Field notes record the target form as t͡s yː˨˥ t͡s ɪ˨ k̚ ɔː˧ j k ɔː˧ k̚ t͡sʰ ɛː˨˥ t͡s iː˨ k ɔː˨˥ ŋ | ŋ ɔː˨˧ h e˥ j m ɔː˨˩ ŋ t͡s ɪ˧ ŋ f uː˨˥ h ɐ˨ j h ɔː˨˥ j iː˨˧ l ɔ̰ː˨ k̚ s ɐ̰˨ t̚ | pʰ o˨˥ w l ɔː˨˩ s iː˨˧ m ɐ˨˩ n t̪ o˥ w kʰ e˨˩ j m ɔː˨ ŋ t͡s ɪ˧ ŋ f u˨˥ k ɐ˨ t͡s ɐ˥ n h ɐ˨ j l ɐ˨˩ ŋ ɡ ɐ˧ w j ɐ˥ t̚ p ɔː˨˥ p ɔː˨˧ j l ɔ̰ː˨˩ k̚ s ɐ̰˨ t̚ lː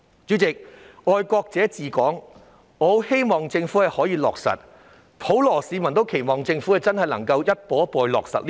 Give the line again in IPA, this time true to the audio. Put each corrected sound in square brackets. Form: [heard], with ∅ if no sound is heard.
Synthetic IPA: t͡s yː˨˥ t͡s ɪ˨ k̚ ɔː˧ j k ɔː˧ k̚ [t͡s] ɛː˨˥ t͡s iː˨ k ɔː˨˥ ŋ | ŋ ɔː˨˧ h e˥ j m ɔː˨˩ ŋ t͡s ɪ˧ ŋ f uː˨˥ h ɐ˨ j h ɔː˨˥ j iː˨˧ l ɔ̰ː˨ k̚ s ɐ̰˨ t̚ | pʰ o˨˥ w l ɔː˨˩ s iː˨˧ m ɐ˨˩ n t̪ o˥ w kʰ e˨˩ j m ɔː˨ ŋ t͡s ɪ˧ ŋ f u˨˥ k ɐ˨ t͡s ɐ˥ n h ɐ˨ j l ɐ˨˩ ŋ [k] ɐ˧ w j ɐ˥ t̚ p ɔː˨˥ p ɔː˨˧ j l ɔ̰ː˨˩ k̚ s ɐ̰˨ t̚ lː